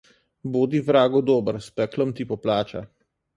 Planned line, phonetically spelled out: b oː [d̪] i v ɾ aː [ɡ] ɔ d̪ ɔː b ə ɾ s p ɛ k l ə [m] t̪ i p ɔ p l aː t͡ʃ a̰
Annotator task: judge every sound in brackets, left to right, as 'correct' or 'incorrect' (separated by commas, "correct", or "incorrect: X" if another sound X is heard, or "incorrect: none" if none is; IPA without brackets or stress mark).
correct, correct, correct